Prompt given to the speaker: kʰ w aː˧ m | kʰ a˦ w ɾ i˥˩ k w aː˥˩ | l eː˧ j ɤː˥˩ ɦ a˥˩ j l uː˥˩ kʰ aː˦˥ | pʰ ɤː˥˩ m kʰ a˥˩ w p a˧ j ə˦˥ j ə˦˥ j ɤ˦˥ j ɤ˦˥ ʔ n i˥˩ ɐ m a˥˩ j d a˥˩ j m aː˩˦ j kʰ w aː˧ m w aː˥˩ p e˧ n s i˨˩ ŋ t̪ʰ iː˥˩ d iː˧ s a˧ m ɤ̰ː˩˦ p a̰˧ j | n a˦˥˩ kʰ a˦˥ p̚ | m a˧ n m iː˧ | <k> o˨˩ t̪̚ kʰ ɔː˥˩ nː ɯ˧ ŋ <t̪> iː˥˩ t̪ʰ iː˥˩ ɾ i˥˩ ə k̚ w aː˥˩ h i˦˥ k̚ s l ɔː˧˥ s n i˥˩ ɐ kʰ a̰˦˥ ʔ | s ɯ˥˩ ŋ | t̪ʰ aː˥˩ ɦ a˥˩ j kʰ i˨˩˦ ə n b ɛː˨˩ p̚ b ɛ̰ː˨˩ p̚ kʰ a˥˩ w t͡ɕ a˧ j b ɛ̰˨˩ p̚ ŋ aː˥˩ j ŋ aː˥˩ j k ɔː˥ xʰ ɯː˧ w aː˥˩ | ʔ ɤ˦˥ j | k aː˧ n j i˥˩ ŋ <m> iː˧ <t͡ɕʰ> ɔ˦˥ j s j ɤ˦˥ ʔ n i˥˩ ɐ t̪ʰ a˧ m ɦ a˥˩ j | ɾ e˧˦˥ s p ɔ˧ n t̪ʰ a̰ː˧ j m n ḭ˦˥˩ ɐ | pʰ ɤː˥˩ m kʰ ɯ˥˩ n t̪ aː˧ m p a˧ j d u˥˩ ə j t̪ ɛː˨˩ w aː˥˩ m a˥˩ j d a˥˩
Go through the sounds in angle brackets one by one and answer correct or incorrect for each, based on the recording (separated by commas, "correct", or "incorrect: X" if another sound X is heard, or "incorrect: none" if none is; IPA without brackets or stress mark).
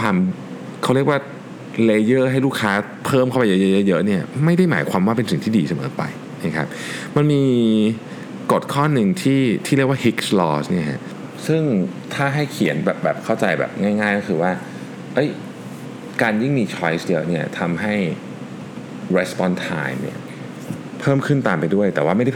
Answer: correct, incorrect: t̪ʰ, correct, correct